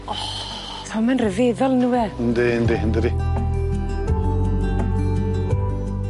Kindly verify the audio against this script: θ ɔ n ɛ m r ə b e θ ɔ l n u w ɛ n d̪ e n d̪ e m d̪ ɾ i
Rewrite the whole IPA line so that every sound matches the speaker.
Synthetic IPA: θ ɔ m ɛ n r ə v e ð ɔ l n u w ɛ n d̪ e n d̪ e n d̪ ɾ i

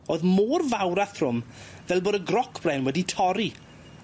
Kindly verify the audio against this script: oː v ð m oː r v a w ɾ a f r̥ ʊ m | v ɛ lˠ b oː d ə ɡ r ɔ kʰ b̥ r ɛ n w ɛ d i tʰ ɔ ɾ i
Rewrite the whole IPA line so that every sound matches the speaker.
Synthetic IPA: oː ð m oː r v a w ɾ a θ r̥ ʊ m | v ɛ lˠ b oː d ə ɡ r ɔ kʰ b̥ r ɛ n w ɛ d i tʰ ɔ ɾ i

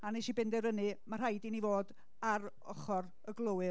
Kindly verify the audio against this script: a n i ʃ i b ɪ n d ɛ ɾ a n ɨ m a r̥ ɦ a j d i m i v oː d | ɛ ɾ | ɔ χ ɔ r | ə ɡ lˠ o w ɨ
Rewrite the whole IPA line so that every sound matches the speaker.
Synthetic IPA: a n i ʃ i b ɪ n d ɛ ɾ ə n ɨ m a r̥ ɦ a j d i n i v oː d | a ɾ | ɔ χ ɔ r | ə ɡ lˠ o w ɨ

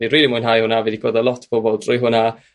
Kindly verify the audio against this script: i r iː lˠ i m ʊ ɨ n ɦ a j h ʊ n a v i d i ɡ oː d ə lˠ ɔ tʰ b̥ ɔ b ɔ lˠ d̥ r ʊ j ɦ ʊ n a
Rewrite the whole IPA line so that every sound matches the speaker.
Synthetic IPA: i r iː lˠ i m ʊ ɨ n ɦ a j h ʊ n a v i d i ɡ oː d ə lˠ ɔ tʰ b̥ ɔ b ɔ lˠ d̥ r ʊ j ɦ ʊ n a

